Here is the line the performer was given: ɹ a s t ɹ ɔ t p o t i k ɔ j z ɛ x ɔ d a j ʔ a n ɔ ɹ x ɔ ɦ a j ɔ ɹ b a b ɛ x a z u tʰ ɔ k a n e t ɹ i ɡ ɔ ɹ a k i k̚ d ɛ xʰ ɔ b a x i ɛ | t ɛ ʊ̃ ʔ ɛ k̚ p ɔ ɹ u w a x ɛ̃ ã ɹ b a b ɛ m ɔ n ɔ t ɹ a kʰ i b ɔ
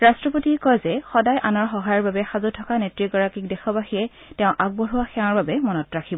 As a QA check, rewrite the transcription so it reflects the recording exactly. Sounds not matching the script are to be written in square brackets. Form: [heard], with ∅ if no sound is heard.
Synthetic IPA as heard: ɹ a s t ɹ ɔ [∅] p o t i k ɔ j z ɛ x ɔ d a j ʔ a n ɔ ɹ x ɔ ɦ a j ɔ ɹ b a b ɛ x a z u tʰ ɔ k a n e t ɹ i ɡ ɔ ɹ a k i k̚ d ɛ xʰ ɔ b a x i ɛ | t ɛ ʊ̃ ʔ [a] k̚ [b] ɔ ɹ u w a x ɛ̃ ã ɹ b a b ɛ m ɔ n ɔ t ɹ a kʰ i b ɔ